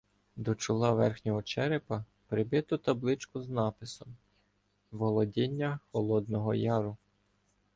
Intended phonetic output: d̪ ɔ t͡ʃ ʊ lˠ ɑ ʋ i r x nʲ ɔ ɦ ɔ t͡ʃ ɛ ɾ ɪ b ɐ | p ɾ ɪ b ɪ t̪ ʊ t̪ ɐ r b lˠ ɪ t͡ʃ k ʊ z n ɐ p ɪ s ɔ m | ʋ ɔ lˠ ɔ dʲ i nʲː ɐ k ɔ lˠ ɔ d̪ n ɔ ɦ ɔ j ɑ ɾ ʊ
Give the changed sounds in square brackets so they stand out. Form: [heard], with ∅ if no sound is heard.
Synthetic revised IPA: d̪ ɔ t͡ʃ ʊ lˠ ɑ ʋ [ɛ] r x nʲ ɔ ɦ ɔ t͡ʃ ɛ ɾ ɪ [p] ɐ | p ɾ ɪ b ɪ t̪ ʊ t̪ ɐ [∅] b lˠ ɪ t͡ʃ k ʊ z n [ɑ] p ɪ s ɔ m | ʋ ɔ lˠ ɔ dʲ i nʲː ɐ [x] ɔ lˠ ɔ d̪ n ɔ ɦ ɔ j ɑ ɾ ʊ